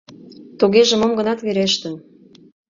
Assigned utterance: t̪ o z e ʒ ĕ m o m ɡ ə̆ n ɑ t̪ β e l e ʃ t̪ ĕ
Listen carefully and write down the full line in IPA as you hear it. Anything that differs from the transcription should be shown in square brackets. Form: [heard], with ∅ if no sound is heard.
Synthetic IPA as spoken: t̪ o [ɣ] e ʒ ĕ m o m ɡ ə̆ n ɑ t̪ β e [ɾ] e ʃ t̪ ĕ